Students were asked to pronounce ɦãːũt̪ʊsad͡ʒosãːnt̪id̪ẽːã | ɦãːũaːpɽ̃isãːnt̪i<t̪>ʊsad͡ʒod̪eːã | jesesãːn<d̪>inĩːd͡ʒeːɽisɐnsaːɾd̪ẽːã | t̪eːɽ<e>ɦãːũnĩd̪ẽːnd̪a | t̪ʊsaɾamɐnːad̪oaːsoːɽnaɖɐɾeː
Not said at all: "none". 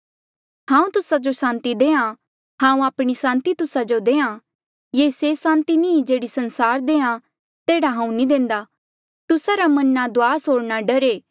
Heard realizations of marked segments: t̪, t̪, a

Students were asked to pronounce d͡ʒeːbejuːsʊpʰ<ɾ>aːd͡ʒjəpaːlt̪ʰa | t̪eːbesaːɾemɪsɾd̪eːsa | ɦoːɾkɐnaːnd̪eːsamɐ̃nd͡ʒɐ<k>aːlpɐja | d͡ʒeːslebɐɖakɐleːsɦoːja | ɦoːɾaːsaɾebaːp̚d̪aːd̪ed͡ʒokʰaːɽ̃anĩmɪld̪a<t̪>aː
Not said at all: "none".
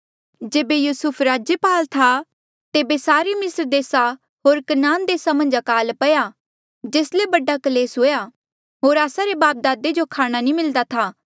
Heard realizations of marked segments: ɾ, k, t̪ʰ

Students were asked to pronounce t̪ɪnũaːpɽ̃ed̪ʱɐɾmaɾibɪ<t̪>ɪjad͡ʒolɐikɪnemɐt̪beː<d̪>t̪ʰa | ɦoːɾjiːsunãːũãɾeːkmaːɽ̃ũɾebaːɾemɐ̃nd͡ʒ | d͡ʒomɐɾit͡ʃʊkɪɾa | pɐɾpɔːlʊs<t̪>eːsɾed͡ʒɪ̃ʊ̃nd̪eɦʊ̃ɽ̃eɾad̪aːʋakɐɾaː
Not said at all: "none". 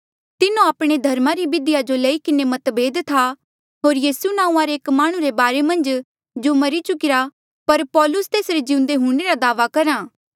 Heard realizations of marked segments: d̪, d̪, t̪

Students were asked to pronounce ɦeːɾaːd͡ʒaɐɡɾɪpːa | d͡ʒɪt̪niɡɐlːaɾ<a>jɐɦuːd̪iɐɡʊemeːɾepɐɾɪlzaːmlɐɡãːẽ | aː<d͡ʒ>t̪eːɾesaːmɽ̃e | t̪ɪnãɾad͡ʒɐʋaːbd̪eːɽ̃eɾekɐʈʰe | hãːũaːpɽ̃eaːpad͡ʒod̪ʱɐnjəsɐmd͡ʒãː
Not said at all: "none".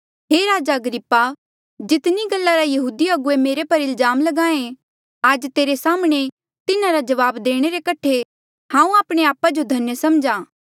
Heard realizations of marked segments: a, d͡ʒ

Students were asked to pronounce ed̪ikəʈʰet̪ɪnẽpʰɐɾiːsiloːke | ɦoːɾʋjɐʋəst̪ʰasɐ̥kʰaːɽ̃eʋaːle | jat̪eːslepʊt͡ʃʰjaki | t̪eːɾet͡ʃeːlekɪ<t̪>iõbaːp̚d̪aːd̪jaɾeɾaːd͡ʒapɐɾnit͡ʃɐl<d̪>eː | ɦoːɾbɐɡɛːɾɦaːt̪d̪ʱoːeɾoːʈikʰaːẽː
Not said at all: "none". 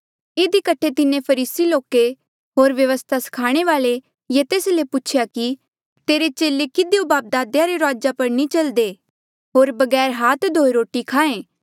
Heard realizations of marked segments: d̪, d̪

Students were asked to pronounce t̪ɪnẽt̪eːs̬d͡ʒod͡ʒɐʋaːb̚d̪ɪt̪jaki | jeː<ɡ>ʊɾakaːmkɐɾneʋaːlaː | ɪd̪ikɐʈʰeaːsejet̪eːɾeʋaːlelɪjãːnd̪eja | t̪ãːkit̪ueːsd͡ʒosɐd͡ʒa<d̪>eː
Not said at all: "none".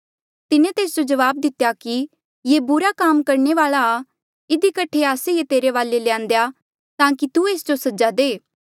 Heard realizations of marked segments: b, d̪

